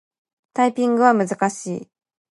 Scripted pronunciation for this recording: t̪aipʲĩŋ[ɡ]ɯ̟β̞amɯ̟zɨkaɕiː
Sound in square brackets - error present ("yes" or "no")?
no